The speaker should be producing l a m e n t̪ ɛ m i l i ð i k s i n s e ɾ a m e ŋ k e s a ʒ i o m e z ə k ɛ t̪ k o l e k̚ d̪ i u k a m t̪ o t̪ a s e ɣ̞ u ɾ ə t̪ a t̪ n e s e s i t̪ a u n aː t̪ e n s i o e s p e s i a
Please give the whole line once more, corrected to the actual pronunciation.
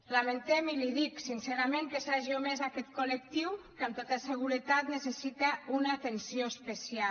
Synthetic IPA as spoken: l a m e n t̪ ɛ m i l i ð i k s i n s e ɾ a m e ŋ k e s a ʒ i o m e z a k ɛ t̪ k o l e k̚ t̪ i w k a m t̪ o t̪ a s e ɣ̞ u ɾ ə t̪ a t̪ n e s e s i t̪ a u n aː t̪ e n s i o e s p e s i a

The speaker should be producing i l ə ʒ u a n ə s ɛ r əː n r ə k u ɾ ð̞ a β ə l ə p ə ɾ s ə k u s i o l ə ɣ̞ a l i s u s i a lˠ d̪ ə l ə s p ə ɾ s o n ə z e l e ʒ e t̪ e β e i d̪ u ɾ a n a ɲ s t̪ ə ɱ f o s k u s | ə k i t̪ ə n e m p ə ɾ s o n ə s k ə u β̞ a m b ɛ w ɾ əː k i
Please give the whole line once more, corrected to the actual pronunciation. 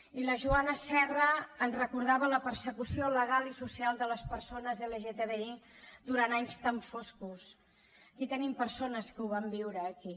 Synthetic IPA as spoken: i l ə ʒ u a n ə s ɛ r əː n r ə k u ɾ ð̞ a β ə l ə p ə ɾ s ə k u s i o l ə ɣ̞ a l i s u s i a lˠ d̪ ə l ə s p ə ɾ s o n ə z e l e ʒ e t̪ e β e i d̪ u ɾ a n a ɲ s t̪ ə ɱ f o s k u s | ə k i t̪ ə n i m p ə ɾ s o n ə s k ə u β̞ a m b i w ɾ əː k i

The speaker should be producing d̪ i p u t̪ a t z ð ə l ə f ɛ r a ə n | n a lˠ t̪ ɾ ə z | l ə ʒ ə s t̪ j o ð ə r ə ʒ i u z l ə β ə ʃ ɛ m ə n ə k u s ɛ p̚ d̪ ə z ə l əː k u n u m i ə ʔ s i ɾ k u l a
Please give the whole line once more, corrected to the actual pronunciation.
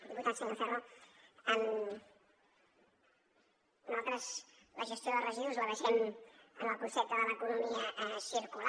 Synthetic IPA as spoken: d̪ i p u t̪ a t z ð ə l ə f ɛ r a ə n | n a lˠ t̪ ɾ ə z | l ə ʒ ə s t̪ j o ð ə r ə ʒ i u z l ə β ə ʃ ɛ m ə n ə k u s ɛ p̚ t̪ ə ð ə l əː k u n u m i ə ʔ s i ɾ k u l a

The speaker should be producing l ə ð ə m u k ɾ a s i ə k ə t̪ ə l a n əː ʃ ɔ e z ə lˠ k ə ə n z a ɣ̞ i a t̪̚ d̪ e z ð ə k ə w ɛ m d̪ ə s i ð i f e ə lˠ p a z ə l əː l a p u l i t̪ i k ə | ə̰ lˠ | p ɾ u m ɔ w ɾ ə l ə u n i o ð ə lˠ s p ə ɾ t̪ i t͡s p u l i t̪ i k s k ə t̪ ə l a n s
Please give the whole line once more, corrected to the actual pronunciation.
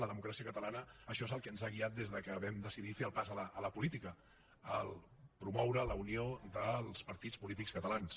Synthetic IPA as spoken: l ə ð ə m u k ɾ a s i ə k ə t̪ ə l a n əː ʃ ɔ e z ə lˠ k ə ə n z a ɣ̞ i a t̪̚ d̪ e z ð ə k ə β ɛ m d̪ ə s i ð i f e ə lˠ p a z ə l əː l ə p u l i t̪ i k ə | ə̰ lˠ | p ɾ u m ɔ w ɾ ə l ə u n i o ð ə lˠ s p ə ɾ t̪ i t͡s p u l i t̪ i k s k ə t̪ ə l a n s

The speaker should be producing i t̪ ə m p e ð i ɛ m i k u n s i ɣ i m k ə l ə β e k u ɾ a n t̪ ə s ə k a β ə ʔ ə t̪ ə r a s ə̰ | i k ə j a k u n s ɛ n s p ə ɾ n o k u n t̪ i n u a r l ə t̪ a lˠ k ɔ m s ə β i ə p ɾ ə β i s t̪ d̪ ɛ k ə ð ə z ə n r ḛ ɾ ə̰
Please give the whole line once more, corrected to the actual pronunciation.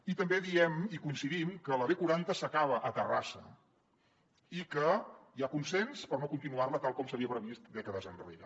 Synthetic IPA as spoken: i t̪ ə m b e ð i ɛ m i k u n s i ð i m k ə l ə β e k u ɾ a n t̪ ə s ə k a β ə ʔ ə t̪ ə r a s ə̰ | i k ə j a k u n s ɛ n s p ə ɾ n o k u n t̪ i n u a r l ə t̪ a lˠ k ɔ m s ə β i ə p ɾ ə β i s t̪ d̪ ɛ k ə ð ə z ə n r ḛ ɾ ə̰

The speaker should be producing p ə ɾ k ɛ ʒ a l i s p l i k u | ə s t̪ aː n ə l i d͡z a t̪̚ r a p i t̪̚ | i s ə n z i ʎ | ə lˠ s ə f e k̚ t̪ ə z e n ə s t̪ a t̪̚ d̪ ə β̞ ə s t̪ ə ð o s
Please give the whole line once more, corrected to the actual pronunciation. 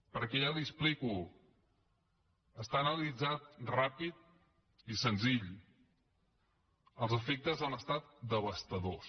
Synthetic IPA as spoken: p ə ɾ k ɛ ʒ a l i s p l i k u | ə s t̪ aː n ə l i d͡z a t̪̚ r a p i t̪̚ | i s ə n z i ʎ | ə lˠ z ə f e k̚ t̪ ə z a n ə s t̪ a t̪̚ d̪ ə β̞ ə s t̪ ə ð o s

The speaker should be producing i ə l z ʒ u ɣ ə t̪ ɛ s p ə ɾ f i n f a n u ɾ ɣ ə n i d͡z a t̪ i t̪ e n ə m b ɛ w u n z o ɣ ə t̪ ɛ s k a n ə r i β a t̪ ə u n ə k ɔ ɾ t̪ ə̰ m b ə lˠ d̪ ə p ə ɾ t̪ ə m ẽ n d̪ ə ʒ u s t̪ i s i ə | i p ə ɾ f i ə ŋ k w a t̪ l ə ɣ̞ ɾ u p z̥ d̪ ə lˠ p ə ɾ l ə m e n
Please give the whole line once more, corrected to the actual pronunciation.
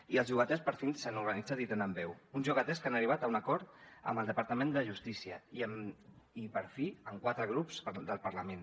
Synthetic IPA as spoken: i ə l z ʒ u ɣ ə t̪ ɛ s p ə ɾ f i n s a n u ɾ ɣ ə n i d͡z a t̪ i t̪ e n ə m b ɛ w u n z u ɣ ə t̪ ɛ s k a n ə r i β a t̪ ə u n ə k ɔ ɾ t̪ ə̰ m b ə lˠ d̪ ə p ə ɾ t̪ ə m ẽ n d̪ ə ʒ u s t̪ i s i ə | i p ə ɾ f i ə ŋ k w a t̪ ɾ ə ɣ̞ ɾ u p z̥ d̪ ə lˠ p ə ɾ l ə m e n

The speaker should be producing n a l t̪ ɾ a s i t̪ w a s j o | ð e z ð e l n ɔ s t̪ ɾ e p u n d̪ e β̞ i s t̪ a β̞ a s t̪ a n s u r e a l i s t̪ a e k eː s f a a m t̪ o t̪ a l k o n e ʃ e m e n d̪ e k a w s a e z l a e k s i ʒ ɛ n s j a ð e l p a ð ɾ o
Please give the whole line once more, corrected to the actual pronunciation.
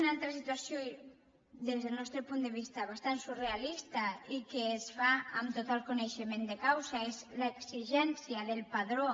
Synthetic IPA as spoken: n a l t̪ ɾ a s i t̪ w a s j o | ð e z ð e l n ɔ s t̪ ɾ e p u n d̪ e β̞ i s t̪ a β̞ a s t̪ a n s u r e a l i s t̪ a i k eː s f a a m t̪ o t̪ a l k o n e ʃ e m e n d̪ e k a w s a e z l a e k s i ʒ ɛ n s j a ð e l p a ð ɾ o

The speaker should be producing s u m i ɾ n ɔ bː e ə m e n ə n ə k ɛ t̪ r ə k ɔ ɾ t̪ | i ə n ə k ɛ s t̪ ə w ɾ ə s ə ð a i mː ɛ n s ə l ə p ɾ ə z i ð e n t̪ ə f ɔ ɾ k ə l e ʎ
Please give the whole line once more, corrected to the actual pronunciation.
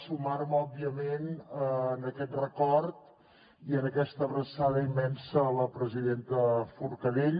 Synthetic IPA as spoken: s u m a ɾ m ɔ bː i ə m e n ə n ə k ɛ t̪ r ə k ɔ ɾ t̪ | i ə n ə k ɛ s t̪ ə β ɾ ə s a ð ə i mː ɛ n s ə l ə p ɾ ə z i ð e n t̪ ə f u ɾ k ə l e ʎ

